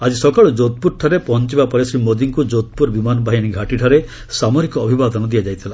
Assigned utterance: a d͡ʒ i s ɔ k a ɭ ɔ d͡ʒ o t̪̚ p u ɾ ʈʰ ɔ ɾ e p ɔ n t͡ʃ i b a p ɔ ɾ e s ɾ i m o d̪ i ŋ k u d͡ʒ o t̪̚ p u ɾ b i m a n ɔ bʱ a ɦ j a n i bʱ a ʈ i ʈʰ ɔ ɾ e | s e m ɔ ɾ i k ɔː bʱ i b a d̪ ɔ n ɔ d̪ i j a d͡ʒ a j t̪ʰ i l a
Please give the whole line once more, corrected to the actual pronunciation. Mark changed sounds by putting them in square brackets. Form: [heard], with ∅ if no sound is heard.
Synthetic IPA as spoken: a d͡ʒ i s ɔ k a ɭ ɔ d͡ʒ o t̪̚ p u ɾ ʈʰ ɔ ɾ e p ɔ n t͡ʃ i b a p ɔ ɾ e s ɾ i m o d̪ i ŋ k u d͡ʒ o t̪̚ p u ɾ b i m a n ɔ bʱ a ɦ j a n i [ɡʱ] a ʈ i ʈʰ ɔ ɾ e | s [a] m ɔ ɾ i k ɔː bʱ i b a d̪ ɔ n ɔ d̪ i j a d͡ʒ a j t̪ʰ i l a